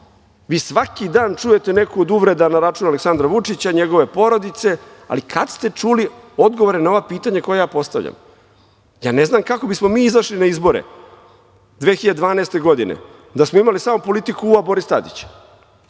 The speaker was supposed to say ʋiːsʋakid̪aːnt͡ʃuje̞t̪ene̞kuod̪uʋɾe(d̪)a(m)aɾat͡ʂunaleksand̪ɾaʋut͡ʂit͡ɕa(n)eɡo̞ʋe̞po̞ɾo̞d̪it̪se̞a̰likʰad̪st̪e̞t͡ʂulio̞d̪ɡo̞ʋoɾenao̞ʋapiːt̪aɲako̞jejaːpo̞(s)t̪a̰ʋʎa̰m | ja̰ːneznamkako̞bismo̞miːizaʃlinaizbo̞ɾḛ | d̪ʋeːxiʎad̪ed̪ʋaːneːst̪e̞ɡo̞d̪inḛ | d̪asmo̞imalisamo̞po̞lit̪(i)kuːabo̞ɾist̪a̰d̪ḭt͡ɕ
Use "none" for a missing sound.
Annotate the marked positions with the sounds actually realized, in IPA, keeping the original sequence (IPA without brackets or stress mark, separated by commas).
d̪, n, ɲ, s, i